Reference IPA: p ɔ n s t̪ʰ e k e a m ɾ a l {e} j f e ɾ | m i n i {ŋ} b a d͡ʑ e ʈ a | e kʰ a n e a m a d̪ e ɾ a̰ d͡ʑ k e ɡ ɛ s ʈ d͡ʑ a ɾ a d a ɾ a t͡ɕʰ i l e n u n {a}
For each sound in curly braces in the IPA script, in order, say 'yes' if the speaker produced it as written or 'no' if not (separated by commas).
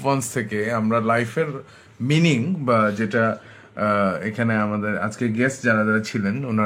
no, yes, yes